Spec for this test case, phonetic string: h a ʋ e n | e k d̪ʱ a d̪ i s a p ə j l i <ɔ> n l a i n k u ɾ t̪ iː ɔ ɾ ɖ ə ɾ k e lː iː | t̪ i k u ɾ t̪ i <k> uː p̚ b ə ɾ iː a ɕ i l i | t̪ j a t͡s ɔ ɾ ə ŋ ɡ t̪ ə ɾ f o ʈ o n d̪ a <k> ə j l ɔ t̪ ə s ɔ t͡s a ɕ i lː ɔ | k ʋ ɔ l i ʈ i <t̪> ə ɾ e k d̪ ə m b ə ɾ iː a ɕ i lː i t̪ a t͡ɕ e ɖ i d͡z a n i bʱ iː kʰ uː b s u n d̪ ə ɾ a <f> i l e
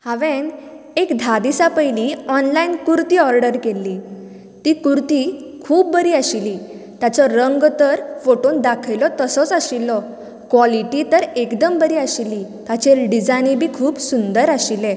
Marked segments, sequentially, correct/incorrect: correct, incorrect: kʰ, incorrect: kʰ, correct, incorrect: ɕ

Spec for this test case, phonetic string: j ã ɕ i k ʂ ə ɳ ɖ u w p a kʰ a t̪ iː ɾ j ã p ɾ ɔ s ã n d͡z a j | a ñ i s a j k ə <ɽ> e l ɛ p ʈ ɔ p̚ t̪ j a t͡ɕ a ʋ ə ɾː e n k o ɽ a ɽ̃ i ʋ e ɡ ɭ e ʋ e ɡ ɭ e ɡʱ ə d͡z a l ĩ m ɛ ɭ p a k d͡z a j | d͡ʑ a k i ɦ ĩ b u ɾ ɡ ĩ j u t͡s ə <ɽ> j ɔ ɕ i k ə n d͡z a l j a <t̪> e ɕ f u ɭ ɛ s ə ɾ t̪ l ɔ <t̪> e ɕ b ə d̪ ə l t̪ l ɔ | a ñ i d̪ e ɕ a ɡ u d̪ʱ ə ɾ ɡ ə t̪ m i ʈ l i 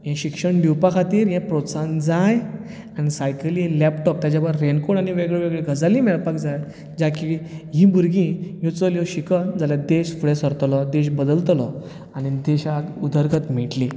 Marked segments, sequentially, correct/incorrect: incorrect: l, incorrect: l, incorrect: d̪, incorrect: d̪

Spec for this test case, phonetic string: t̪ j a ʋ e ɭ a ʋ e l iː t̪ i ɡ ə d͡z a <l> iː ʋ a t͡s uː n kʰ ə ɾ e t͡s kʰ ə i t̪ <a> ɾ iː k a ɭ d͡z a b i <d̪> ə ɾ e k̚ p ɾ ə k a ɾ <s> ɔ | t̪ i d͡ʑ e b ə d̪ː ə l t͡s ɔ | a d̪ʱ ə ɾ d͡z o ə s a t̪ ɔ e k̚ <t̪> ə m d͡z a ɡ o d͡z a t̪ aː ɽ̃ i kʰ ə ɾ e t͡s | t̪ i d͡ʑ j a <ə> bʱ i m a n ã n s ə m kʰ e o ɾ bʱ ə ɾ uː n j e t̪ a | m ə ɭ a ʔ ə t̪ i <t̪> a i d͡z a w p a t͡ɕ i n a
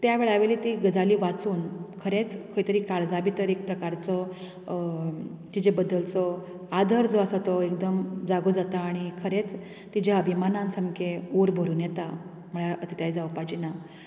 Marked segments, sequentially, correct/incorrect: correct, incorrect: ə, incorrect: t̪, incorrect: t͡s, incorrect: d̪, correct, correct

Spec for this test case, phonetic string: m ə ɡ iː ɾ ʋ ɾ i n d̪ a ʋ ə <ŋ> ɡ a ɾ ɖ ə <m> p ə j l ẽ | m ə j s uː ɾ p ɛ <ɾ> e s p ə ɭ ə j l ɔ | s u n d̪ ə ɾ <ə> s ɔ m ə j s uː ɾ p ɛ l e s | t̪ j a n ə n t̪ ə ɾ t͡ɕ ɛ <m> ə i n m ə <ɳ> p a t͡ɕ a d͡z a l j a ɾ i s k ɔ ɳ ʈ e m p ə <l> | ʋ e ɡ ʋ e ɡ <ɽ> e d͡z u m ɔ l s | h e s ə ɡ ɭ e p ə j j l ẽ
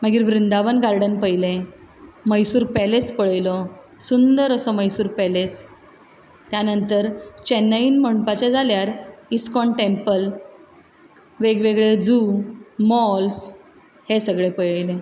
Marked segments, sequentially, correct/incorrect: incorrect: n, incorrect: n, incorrect: l, correct, incorrect: n, correct, correct, incorrect: ɭ

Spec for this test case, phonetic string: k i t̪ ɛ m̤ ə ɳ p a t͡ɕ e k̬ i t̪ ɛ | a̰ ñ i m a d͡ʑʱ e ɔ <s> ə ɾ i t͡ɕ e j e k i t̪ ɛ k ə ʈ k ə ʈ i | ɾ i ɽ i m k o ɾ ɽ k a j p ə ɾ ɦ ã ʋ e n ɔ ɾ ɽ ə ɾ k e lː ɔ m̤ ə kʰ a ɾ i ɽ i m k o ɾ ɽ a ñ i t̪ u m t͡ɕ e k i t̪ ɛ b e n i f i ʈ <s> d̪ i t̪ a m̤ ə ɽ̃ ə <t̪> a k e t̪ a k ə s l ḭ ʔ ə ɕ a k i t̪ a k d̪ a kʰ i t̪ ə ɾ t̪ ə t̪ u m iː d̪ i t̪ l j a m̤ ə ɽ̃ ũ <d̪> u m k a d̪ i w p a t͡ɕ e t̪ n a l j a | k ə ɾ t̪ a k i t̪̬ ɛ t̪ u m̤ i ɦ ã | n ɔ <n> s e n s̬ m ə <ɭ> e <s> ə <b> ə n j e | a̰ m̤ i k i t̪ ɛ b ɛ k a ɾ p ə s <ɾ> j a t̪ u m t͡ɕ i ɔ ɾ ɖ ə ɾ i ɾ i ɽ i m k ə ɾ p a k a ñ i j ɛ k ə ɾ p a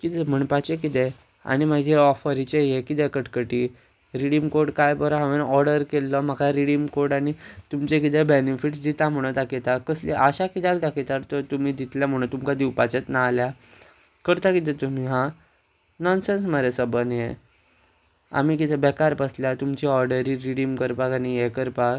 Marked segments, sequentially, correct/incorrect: incorrect: f, correct, correct, incorrect: t̪, correct, incorrect: ɾ, correct, correct, incorrect: l

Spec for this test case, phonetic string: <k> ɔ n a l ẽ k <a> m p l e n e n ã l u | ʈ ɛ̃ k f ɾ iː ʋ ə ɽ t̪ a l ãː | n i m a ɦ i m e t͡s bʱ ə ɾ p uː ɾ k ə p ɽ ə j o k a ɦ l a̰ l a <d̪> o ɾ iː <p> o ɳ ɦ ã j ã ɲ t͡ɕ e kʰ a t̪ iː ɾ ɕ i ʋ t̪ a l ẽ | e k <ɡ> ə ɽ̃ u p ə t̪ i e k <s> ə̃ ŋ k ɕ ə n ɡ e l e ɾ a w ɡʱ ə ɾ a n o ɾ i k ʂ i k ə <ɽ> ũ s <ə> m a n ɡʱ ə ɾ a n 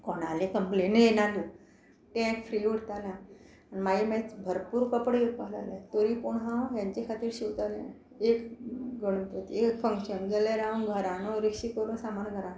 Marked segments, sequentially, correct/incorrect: correct, incorrect: ə, incorrect: t̪, correct, correct, incorrect: f, incorrect: ɾ, incorrect: a

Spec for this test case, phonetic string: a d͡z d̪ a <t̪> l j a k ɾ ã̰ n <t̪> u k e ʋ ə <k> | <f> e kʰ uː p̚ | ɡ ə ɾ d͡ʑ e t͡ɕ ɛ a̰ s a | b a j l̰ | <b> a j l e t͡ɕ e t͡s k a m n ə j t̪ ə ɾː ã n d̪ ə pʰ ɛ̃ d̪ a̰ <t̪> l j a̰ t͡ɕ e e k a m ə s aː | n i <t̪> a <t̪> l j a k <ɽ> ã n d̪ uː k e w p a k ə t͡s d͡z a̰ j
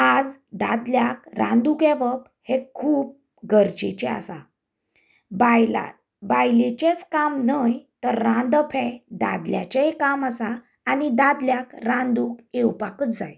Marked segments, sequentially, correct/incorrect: incorrect: d̪, incorrect: d̪, incorrect: p, incorrect: h, correct, incorrect: d̪, incorrect: d̪, incorrect: d̪, incorrect: ɾ

